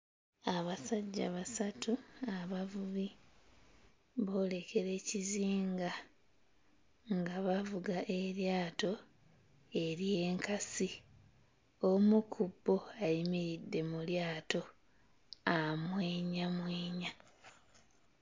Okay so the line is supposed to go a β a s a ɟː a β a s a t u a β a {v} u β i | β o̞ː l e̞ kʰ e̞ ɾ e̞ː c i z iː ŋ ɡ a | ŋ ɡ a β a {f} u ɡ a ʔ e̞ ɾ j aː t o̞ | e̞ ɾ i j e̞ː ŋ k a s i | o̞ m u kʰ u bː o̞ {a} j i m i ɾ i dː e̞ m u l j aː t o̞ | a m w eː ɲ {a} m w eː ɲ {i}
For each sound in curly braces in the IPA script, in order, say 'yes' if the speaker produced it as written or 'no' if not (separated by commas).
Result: yes, no, yes, yes, no